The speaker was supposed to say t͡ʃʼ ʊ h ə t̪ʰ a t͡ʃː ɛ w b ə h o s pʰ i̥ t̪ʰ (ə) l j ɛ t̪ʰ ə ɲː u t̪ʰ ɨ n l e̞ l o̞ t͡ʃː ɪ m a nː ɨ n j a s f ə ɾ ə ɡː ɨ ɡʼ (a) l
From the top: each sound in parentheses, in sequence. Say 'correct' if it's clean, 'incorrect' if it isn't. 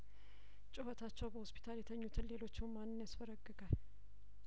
incorrect: a, correct

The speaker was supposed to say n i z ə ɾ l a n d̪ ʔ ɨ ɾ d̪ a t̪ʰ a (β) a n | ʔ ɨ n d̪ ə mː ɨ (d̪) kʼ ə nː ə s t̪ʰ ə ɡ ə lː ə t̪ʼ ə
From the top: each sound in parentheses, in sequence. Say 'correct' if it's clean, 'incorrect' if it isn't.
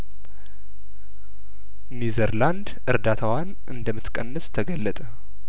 incorrect: w, incorrect: t̪

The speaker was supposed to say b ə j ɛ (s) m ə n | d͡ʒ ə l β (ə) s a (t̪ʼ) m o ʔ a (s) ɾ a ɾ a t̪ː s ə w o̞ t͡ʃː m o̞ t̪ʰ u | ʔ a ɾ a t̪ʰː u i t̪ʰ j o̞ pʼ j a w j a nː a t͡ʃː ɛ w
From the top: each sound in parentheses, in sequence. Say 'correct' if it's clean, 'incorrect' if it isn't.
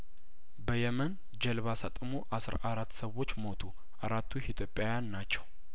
incorrect: none, incorrect: a, correct, correct

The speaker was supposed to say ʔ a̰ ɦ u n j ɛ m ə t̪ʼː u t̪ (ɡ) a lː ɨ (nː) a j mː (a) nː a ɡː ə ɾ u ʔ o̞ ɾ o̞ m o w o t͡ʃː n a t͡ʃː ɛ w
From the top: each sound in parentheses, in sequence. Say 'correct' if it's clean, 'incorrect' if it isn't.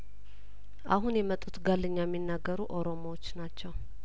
correct, incorrect: ɲː, incorrect: i

